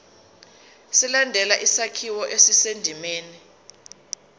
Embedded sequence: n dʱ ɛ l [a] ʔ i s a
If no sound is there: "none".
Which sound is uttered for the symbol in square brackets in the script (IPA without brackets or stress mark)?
a